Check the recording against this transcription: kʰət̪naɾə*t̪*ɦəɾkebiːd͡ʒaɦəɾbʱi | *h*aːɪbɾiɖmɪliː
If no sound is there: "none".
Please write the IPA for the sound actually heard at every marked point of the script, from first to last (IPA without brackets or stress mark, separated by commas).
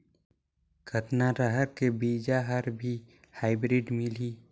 none, h